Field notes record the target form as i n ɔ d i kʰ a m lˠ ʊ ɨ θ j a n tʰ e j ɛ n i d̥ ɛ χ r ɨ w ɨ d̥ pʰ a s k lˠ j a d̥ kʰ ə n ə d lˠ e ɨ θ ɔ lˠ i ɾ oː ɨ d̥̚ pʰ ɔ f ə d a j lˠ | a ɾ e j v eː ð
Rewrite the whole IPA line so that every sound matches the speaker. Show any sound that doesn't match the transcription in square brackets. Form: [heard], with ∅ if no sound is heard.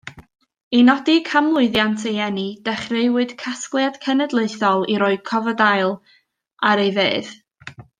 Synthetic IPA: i n ɔ d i kʰ a m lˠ ʊ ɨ [ð] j a n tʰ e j ɛ n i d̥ ɛ χ r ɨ w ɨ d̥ [kʰ] a s k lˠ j a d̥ kʰ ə n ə d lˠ e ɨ θ ɔ lˠ i ɾ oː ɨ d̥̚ [kʰ] ɔ [v] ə d a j lˠ | a ɾ e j v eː ð